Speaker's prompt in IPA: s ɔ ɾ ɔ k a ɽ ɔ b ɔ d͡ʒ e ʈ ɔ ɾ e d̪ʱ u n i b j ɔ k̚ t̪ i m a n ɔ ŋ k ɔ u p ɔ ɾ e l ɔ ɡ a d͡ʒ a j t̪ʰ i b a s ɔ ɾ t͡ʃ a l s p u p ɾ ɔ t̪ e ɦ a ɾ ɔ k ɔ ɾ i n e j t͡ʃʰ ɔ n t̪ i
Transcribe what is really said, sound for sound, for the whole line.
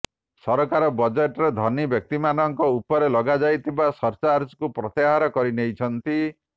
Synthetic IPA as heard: s ɔ ɾ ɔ k a ɾ ɔ b ɔ d͡ʒ e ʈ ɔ ɾ e d̪ʱ ɔ n i b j ɔ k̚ t̪ i m a n ɔ ŋ k ɔ u p ɔ ɾ e l ɔ ɡ a d͡ʒ a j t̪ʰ i b a s ɔ ɾ t͡ʃ a ɾ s k u p ɾ ɔ t̪ e ɦ a ɾ ɔ k ɔ ɾ i n e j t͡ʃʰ ɔ n t̪ i